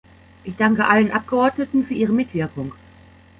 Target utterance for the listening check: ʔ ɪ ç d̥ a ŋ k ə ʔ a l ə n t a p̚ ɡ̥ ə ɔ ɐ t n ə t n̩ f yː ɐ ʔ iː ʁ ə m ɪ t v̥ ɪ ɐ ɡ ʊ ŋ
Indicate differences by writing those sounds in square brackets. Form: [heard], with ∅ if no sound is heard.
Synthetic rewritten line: ʔ ɪ ç d̥ a ŋ k ə ʔ a l ə n [ʔ] a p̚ ɡ̥ ə ɔ ɐ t n ə t n̩ f yː ɐ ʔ iː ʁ ə m ɪ t v̥ ɪ ɐ [k] ʊ ŋ

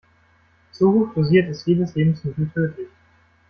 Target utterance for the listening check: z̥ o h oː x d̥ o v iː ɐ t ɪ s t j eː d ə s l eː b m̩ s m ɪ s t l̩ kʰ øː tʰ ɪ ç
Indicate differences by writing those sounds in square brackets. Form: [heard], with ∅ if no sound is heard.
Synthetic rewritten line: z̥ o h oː x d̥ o [z] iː ɐ t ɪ s t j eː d ə s l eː b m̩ s m ɪ [∅] t l̩ [tʰ] øː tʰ ɪ ç

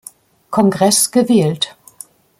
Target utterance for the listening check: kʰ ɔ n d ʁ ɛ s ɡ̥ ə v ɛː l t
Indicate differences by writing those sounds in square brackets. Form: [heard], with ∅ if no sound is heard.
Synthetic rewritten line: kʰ ɔ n [ɡ] ʁ ɛ s ɡ̥ ə v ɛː l t

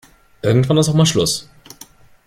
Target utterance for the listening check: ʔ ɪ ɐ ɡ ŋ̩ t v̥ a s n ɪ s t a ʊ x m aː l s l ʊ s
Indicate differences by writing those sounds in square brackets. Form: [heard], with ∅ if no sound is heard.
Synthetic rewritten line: ʔ ɪ ɐ ɡ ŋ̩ t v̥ a [∅] n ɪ s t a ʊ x m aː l [ʃ] l ʊ s

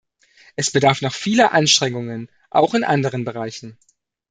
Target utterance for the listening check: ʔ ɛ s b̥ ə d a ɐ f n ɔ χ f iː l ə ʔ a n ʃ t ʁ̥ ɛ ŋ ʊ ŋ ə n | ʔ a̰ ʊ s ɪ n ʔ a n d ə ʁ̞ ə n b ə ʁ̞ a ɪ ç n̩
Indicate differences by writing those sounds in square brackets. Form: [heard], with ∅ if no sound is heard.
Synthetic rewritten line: ʔ ɛ s b̥ ə d a ɐ f n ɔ χ f iː l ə ʔ a n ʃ t ʁ̥ ɛ ŋ ʊ ŋ ə n | ʔ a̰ ʊ [x] ɪ n ʔ a n d ə ʁ̞ ə n b ə ʁ̞ a ɪ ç n̩

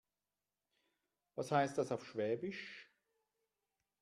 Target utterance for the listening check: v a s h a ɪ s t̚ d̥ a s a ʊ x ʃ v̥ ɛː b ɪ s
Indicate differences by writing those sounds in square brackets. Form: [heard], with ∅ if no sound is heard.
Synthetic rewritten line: v a s h a ɪ s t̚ d̥ a s a ʊ [f] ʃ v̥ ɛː b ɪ [ʃ]

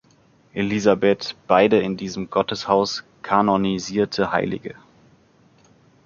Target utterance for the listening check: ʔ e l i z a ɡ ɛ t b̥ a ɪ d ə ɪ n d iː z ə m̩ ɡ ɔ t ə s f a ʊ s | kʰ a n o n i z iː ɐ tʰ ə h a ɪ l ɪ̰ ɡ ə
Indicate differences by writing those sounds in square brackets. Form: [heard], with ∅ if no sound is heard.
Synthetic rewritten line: ʔ e l i z a [b] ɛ t b̥ a ɪ d ə ɪ n d iː z ə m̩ ɡ ɔ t ə s [h] a ʊ s | kʰ a n o n i z iː ɐ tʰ ə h a ɪ l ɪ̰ ɡ ə

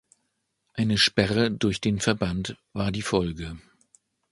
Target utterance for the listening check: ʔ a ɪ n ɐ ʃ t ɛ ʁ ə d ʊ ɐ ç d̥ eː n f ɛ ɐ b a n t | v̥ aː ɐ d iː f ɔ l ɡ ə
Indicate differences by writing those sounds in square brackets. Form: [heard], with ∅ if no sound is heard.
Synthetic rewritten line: ʔ a ɪ n [ə] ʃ [p] ɛ ʁ ə d ʊ ɐ ç d̥ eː n f ɛ ɐ b a n t | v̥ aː ɐ d iː f ɔ l ɡ ə

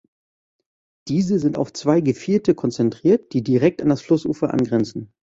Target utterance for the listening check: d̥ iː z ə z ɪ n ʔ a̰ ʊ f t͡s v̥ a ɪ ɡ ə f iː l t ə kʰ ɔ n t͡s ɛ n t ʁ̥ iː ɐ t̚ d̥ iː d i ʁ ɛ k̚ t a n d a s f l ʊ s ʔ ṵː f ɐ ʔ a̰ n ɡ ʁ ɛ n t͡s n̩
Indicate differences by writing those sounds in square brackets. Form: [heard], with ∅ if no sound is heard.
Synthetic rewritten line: d̥ iː z ə z ɪ n [t] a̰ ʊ f t͡s v̥ a ɪ ɡ ə f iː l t ə kʰ ɔ n t͡s ɛ n t ʁ̥ iː ɐ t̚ d̥ iː d i ʁ ɛ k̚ t a n d a s f l ʊ s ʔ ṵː f ɐ ʔ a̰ n ɡ ʁ ɛ n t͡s n̩

